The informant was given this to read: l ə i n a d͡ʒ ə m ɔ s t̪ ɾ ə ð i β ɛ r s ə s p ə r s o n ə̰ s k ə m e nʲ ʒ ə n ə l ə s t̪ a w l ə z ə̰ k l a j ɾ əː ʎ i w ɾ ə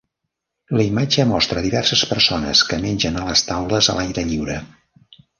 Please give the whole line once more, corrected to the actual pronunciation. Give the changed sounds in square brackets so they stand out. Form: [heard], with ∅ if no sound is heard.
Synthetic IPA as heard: l ə i [m] a d͡ʒ ə m ɔ s t̪ ɾ ə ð i β ɛ r s ə s p ə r s o n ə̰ s k ə m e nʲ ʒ ə n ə l ə s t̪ a w l ə z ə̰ [∅] l a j ɾ [ə] ʎ i w ɾ ə